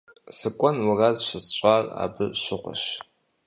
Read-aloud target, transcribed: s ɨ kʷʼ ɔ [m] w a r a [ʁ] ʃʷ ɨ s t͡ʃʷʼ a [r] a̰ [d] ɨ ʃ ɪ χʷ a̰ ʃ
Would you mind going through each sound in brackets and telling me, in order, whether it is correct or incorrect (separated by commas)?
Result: incorrect, incorrect, correct, incorrect